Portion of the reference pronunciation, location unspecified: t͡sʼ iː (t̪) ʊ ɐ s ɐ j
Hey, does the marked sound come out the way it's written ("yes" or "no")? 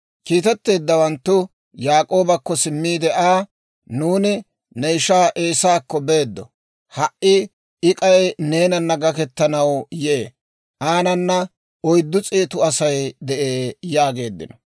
yes